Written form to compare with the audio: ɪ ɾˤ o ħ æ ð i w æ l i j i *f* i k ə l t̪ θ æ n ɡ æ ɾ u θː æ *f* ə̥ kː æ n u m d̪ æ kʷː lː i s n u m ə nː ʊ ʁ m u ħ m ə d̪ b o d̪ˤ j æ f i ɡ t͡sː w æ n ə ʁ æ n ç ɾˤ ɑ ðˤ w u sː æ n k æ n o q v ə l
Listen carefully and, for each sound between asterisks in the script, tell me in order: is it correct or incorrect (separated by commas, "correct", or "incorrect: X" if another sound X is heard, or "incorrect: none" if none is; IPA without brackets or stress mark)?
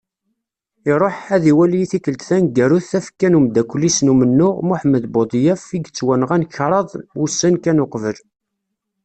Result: incorrect: θ, correct